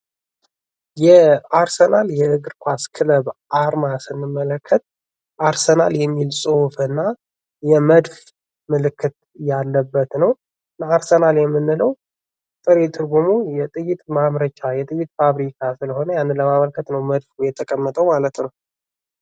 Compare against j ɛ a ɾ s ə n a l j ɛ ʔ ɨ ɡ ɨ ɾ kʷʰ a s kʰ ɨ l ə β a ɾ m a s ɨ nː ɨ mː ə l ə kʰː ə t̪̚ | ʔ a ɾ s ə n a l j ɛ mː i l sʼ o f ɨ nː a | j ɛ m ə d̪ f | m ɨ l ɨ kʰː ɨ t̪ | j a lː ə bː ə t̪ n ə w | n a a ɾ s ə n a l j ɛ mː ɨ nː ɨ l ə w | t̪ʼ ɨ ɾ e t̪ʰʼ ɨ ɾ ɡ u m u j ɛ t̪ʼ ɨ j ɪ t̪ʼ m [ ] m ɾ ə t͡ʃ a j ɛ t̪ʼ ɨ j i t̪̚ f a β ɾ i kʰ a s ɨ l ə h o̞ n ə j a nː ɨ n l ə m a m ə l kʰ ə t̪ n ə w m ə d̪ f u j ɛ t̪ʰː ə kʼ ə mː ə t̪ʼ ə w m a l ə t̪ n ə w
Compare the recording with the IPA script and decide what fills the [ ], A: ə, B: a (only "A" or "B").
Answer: B